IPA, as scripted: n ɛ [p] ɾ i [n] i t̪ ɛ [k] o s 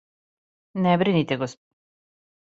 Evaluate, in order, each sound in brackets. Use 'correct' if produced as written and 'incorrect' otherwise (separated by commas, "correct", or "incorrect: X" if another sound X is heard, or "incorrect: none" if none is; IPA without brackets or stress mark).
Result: incorrect: b, correct, incorrect: ɡ